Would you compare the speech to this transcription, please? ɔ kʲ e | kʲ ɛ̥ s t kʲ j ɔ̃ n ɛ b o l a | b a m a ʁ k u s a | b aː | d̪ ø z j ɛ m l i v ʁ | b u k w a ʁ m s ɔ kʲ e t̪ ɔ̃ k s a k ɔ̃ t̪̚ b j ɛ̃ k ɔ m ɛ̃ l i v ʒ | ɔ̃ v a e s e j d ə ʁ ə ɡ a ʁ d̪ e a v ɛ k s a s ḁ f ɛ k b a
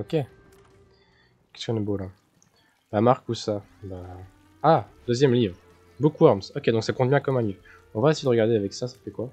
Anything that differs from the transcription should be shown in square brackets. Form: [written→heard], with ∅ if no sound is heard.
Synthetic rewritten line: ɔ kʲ e | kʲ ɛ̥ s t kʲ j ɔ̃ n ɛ b o l a | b a m a ʁ k u s a | b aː | d̪ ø z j ɛ m l i v ʁ | b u k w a ʁ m s ɔ kʲ e [t̪→d̪] ɔ̃ k s a k ɔ̃ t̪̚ b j ɛ̃ k ɔ m ɛ̃ l i v [ʒ→ʁ] | ɔ̃ v a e s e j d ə ʁ ə ɡ a ʁ d̪ e a v ɛ k s a s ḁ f ɛ k [b→w] a